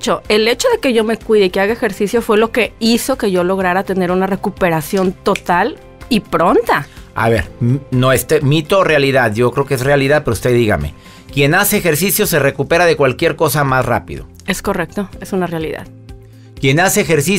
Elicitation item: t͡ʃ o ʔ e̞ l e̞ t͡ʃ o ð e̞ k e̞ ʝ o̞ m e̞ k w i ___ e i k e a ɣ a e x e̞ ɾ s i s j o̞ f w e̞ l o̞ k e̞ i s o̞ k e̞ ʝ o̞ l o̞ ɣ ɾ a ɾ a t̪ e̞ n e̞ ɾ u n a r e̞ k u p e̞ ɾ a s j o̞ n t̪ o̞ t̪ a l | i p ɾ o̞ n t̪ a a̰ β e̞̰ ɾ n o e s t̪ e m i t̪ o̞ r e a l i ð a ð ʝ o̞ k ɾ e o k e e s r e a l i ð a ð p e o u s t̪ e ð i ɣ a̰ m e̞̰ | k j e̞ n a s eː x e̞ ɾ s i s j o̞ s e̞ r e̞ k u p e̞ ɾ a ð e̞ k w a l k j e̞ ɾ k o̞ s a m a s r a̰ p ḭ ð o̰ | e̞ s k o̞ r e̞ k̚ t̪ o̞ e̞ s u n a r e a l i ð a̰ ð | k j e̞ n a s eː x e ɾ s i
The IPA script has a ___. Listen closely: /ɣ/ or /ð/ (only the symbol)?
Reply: ð